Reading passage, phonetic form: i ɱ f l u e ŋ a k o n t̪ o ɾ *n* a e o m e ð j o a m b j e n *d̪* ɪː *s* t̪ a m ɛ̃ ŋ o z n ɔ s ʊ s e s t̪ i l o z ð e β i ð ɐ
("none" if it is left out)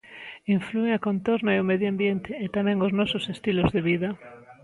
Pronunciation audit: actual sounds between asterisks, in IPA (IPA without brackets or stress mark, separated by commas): n, t̪, none